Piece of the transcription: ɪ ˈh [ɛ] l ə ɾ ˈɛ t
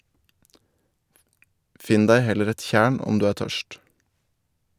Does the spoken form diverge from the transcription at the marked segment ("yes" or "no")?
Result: no